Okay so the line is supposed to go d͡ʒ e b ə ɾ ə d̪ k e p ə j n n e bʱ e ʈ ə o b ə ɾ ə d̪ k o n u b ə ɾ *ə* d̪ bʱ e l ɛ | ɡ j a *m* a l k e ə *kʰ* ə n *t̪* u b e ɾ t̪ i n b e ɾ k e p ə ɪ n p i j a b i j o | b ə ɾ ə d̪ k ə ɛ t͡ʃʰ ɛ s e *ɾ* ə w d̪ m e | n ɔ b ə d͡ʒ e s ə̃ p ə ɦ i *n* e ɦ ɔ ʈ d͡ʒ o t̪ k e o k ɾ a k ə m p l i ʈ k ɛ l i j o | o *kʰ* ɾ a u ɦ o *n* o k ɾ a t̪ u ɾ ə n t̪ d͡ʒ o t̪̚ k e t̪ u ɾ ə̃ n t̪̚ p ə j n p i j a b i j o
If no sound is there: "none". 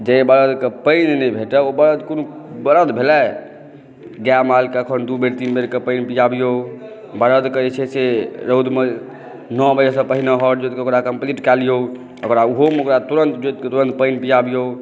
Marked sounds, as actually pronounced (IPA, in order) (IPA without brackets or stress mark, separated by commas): ə, m, kʰ, d̪, ɾ, n, k, m